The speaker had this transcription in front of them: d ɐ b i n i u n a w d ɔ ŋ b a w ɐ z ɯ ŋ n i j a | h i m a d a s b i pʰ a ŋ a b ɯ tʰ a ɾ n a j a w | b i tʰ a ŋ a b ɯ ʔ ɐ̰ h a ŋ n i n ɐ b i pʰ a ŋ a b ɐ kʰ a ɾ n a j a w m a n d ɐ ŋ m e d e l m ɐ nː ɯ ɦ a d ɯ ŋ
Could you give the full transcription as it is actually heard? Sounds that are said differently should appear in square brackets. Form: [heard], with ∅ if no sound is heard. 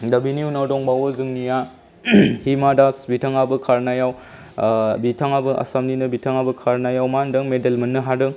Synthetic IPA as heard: d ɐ b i n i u n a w d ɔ ŋ b a w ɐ z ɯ ŋ n i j a | h i m a d a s b i [tʰ] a ŋ a b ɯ [kʰ] a ɾ n a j a w | b i tʰ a ŋ a b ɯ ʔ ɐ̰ [s] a [m] n i n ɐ b i [tʰ] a ŋ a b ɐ kʰ a ɾ n a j a w m a n d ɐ ŋ m e d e l m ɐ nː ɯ ɦ a d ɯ ŋ